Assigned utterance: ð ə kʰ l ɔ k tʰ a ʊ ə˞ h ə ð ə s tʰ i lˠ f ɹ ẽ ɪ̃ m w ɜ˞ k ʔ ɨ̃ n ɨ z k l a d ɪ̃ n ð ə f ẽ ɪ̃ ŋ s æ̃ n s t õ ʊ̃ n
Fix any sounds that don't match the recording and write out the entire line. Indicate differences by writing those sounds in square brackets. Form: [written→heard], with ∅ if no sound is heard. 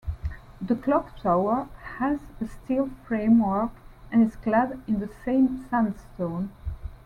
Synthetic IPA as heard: ð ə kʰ l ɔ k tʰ a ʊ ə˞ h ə [ð→z] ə s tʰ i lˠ f ɹ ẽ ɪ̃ m w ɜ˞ k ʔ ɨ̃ n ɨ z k l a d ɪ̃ n ð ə [f→s] ẽ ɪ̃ [ŋ→m] s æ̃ n s t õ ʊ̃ n